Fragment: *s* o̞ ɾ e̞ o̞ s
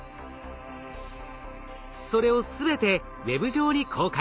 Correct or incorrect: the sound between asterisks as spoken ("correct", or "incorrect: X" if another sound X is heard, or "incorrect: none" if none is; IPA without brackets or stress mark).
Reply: correct